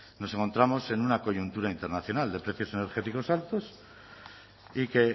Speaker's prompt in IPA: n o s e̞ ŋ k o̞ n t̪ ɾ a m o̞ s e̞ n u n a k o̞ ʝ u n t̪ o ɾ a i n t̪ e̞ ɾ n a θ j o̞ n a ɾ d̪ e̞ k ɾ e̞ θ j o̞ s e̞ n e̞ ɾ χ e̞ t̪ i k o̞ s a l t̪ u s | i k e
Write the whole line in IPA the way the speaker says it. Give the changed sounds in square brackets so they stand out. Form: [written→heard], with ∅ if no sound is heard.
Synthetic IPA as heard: n o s e̞ ŋ k o̞ n t̪ ɾ a m o̞ s e̞ n u n a k o̞ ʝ u n t̪ [o→u] ɾ a i n t̪ e̞ ɾ n a θ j o̞ n a [ɾ→l] d̪ e̞ [k→p] ɾ e̞ θ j o̞ s e̞ n e̞ ɾ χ e̞ t̪ i k o̞ s a l t̪ [u→o] s | i k e